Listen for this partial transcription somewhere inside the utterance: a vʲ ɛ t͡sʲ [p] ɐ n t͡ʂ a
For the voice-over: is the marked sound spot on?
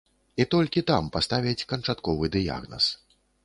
no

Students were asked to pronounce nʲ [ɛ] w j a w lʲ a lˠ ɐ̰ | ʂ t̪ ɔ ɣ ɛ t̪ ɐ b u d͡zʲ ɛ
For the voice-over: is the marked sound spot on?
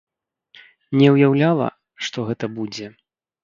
yes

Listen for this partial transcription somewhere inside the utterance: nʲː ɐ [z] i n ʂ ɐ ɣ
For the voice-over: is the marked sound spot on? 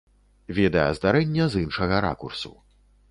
yes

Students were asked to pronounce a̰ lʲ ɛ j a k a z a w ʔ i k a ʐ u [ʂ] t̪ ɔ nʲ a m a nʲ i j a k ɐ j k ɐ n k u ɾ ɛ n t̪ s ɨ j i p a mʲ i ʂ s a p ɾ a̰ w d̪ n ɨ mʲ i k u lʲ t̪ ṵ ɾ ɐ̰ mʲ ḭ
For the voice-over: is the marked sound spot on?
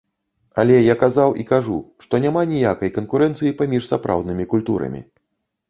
yes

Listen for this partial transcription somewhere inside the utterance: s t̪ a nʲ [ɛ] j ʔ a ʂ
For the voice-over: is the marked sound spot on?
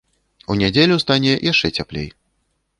yes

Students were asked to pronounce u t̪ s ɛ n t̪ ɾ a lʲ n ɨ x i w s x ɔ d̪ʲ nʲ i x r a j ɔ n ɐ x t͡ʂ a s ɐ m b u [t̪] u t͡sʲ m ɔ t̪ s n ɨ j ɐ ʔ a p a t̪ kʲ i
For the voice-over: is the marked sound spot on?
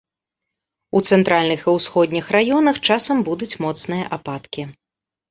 no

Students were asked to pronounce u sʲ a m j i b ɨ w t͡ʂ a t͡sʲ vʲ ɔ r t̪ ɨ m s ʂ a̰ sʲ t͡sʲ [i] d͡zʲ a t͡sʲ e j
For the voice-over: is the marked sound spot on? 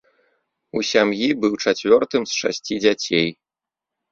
yes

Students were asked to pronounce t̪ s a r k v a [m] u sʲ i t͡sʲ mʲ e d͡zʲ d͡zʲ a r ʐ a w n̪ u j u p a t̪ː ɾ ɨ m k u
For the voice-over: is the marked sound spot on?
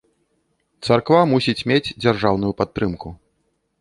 yes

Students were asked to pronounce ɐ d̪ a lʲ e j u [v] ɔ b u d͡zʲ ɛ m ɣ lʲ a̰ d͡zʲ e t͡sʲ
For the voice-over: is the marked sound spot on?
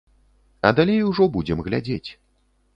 no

